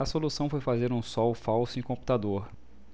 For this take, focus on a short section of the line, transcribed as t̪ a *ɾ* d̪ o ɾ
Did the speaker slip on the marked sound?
yes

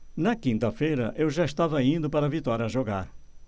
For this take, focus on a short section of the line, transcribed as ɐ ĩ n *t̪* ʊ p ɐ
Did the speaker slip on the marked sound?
yes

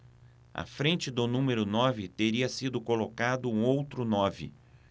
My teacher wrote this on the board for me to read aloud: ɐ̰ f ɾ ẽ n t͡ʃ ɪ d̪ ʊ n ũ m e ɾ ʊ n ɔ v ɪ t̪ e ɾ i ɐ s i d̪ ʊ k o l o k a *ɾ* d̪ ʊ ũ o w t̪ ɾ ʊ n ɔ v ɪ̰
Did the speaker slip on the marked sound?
yes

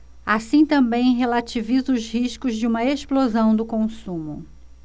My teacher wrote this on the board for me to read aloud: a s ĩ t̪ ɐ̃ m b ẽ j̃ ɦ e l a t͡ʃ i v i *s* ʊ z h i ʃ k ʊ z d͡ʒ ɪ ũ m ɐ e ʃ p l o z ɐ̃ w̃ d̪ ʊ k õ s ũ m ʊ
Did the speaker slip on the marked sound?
yes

